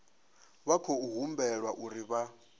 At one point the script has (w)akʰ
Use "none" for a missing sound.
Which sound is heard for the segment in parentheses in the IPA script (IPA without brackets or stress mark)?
β